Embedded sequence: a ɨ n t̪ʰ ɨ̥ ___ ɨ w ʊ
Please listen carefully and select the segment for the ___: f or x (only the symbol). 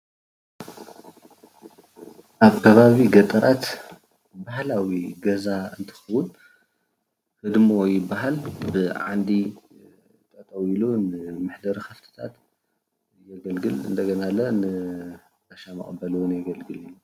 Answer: x